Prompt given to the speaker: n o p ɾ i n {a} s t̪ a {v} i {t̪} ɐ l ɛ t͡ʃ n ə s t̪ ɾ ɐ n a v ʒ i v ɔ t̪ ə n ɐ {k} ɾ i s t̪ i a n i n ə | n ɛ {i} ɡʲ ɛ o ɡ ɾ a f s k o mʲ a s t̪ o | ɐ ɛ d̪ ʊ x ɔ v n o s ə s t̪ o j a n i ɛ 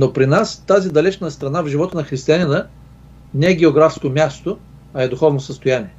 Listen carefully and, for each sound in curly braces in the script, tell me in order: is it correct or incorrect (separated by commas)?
correct, incorrect, incorrect, incorrect, incorrect